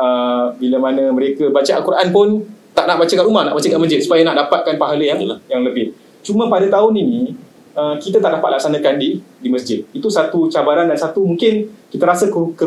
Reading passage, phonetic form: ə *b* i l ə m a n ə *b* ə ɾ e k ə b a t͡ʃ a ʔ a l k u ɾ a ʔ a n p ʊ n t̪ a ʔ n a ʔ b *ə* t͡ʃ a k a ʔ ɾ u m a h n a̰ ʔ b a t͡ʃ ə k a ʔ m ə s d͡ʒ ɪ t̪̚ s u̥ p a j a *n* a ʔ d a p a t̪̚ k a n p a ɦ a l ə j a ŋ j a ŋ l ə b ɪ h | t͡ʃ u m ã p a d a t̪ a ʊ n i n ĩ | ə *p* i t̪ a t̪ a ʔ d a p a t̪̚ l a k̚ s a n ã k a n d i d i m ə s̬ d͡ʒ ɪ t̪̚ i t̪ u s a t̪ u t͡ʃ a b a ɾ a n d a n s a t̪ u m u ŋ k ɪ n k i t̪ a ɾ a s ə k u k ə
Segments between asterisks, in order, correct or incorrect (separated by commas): correct, incorrect, incorrect, correct, incorrect